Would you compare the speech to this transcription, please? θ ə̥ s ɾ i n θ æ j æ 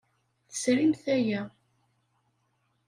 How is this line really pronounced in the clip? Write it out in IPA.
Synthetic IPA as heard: θ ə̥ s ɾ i m θ æ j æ